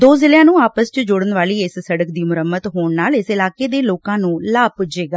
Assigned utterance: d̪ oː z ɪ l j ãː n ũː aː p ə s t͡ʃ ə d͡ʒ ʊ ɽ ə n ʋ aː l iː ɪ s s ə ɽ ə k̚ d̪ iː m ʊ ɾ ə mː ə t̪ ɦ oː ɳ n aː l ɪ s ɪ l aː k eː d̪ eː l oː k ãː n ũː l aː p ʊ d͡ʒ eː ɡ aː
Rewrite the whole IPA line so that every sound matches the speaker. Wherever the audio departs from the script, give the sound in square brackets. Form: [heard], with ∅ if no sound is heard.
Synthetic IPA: d̪ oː z ɪ l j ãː n ũː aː p ə s t͡ʃ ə d͡ʒ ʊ ɽ ə n ʋ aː l iː ɪ s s ə ɽ ə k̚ d̪ iː m ʊ ɾ ə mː ə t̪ ɦ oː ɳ n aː l ɪ s ɪ l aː k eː d̪ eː l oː k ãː n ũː l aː p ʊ d͡ʒ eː ɡ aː